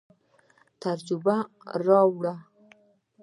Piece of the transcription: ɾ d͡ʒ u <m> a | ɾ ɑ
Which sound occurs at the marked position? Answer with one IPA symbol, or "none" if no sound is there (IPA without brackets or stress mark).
b